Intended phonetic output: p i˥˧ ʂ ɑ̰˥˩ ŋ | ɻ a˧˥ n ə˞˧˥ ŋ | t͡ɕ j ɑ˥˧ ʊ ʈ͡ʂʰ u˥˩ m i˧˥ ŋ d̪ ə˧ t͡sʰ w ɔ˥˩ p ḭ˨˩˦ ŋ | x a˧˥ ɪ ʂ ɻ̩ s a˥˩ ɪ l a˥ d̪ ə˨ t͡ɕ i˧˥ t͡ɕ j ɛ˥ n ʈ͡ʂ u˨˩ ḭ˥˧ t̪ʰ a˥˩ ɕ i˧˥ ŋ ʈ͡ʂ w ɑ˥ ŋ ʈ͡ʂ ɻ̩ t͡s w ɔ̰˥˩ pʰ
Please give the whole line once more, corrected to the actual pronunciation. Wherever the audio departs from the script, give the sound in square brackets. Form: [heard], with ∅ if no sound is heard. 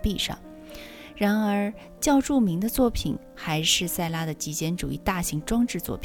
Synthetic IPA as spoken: p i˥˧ ʂ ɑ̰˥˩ ŋ | ɻ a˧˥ n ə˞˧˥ [∅] | t͡ɕ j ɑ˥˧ ʊ [ʈ͡ʂ] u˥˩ m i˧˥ ŋ d̪ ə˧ [t͡s] w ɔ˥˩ [pʰ] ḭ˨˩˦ [n] | x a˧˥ ɪ ʂ ɻ̩ s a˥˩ ɪ l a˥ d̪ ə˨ t͡ɕ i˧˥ t͡ɕ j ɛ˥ n ʈ͡ʂ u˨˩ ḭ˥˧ [t̪] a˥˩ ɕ i˧˥ ŋ ʈ͡ʂ w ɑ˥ ŋ ʈ͡ʂ ɻ̩ t͡s w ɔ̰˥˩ pʰ